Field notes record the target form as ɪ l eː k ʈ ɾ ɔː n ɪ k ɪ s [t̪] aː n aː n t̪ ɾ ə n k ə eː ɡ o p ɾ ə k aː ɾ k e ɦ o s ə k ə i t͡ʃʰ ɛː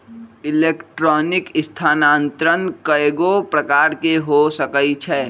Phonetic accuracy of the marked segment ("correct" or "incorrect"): incorrect